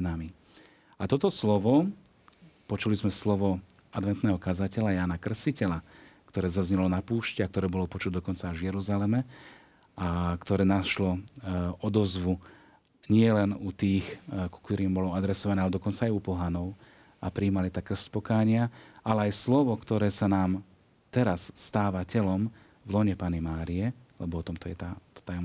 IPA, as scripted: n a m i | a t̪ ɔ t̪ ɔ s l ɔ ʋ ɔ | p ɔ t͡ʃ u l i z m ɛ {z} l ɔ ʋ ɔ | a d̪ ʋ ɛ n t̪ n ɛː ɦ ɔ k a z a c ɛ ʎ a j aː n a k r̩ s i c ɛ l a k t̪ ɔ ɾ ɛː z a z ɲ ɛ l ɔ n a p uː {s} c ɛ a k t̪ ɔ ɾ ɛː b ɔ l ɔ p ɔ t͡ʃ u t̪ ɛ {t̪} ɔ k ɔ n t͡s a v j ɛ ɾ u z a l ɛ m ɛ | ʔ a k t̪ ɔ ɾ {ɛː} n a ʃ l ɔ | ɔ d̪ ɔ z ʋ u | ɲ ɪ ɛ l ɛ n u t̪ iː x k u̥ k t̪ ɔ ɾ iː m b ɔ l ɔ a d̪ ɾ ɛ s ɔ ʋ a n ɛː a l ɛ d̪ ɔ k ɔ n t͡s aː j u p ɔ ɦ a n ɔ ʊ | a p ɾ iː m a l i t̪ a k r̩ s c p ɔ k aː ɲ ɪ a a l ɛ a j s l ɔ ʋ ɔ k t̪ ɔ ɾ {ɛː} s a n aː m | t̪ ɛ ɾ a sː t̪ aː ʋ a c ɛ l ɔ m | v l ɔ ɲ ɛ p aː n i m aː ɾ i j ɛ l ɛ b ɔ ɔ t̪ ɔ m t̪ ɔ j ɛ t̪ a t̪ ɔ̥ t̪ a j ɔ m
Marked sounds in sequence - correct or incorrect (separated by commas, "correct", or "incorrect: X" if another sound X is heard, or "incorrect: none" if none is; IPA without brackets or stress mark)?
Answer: incorrect: s, incorrect: ʃ, incorrect: d̪, correct, correct